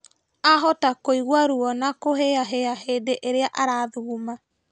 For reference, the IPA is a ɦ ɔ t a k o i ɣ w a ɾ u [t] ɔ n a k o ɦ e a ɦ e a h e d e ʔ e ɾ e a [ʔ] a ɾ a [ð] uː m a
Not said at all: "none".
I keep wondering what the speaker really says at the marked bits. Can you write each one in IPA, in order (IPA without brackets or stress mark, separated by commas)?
none, ʔ, ð